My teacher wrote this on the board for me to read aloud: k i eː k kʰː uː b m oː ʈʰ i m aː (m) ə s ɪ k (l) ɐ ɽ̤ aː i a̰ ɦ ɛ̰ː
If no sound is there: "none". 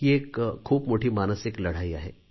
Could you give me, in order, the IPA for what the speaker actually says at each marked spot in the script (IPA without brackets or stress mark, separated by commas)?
n, l